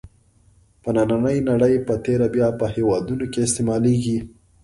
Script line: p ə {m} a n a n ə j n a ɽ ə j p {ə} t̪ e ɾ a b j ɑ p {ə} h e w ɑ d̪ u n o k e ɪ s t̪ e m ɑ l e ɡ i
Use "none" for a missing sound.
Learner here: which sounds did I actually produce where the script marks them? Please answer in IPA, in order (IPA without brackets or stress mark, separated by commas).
n, ə, ə